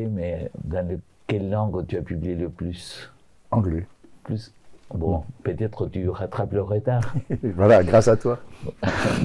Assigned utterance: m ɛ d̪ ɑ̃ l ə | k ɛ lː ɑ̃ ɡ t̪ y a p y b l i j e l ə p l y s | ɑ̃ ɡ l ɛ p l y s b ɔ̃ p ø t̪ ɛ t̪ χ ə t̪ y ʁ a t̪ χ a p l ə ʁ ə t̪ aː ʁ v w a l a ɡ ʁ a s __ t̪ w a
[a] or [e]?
a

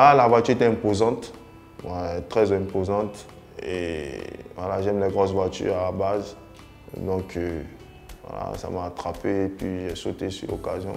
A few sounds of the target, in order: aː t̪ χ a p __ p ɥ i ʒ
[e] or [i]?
e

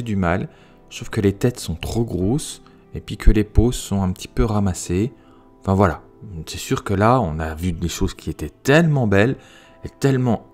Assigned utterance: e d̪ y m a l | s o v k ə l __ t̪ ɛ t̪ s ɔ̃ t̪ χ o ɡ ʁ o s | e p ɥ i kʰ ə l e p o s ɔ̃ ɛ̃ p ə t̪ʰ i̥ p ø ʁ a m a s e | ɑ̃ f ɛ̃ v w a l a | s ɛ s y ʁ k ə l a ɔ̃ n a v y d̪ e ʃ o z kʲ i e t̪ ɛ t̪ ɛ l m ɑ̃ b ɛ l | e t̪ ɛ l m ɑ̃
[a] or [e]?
e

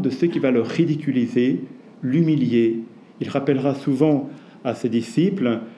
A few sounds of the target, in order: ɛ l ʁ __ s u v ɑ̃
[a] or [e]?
a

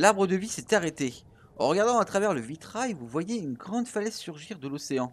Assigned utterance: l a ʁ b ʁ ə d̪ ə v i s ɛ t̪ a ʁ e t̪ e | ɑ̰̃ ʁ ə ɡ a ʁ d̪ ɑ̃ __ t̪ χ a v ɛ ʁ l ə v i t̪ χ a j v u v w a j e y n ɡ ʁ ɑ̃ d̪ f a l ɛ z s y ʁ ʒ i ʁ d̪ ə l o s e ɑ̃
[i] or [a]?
a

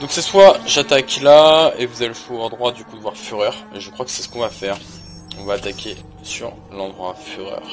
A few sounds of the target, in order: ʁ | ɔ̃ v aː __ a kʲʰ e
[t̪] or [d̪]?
t̪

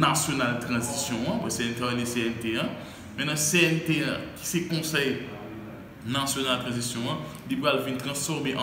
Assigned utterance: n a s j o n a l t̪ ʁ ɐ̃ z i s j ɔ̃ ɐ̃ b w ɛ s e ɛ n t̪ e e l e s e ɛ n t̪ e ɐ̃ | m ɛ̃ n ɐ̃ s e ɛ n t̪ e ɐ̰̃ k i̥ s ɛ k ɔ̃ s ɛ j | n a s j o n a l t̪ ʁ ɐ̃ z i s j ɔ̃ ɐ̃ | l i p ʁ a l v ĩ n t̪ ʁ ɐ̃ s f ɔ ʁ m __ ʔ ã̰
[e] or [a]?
e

